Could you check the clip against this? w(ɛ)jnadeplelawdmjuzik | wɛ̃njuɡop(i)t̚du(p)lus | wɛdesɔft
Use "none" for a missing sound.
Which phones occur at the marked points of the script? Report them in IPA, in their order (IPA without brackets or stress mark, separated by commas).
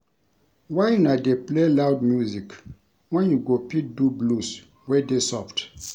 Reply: a, i, b